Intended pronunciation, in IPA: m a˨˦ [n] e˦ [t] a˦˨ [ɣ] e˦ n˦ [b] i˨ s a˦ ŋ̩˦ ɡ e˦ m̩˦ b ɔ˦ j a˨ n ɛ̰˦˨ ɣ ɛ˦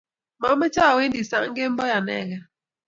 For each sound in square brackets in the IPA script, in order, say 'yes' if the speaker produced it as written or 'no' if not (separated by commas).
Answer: no, no, no, no